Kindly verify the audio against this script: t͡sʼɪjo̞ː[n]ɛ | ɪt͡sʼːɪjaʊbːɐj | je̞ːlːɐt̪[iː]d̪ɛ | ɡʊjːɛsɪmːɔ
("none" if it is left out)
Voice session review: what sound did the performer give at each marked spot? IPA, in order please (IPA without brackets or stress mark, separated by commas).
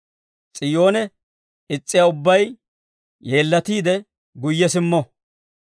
n, iː